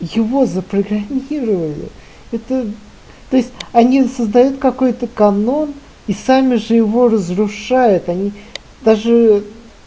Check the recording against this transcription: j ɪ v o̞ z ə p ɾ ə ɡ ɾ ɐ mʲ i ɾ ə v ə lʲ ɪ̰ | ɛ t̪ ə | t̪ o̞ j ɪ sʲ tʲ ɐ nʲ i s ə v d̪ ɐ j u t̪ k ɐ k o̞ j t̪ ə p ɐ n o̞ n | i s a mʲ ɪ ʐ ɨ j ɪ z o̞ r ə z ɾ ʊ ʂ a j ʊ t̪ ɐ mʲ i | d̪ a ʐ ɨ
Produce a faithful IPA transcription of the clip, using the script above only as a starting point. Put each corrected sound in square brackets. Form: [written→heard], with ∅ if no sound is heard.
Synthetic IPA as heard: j ɪ v o̞ z ə p ɾ ə ɡ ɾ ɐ mʲ i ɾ ə v ə lʲ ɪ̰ | ɛ t̪ ə | t̪ o̞ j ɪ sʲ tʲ ɐ nʲ i s ə [v→z] d̪ ɐ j u t̪ k ɐ k o̞ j t̪ ə [p→k] ɐ n o̞ n | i s a mʲ ɪ ʐ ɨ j ɪ [z→v] o̞ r ə z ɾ ʊ ʂ a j ʊ t̪ ɐ [mʲ→nʲ] i | d̪ a ʐ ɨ